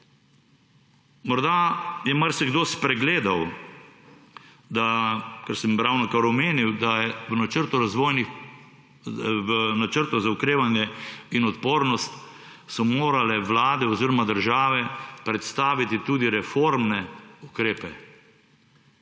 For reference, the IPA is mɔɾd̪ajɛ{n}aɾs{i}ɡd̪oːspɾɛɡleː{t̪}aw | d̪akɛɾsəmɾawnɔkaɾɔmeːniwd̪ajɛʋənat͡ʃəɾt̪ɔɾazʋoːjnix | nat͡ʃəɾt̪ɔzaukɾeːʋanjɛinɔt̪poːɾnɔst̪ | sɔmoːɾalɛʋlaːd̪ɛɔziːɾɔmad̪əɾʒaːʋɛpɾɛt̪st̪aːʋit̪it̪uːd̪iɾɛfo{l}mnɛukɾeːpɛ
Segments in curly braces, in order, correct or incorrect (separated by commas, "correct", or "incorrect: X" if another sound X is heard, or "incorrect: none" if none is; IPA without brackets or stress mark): incorrect: m, incorrect: ɛ, incorrect: d̪, incorrect: ɾ